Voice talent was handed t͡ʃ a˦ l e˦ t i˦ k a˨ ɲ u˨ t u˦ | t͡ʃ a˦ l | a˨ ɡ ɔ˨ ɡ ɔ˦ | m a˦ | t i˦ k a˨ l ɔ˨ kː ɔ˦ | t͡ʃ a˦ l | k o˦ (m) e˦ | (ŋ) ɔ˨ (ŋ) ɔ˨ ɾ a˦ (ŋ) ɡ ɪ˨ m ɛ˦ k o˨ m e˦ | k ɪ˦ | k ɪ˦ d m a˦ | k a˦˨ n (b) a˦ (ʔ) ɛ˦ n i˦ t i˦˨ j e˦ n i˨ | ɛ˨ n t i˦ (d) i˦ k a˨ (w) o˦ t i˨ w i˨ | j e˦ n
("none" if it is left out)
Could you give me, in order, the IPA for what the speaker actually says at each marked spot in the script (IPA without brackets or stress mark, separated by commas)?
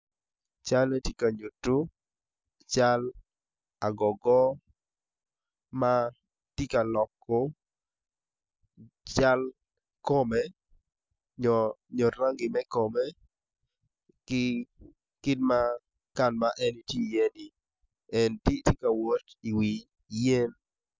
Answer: m, ɲ, ɲ, ŋ, m, ʔ, t, w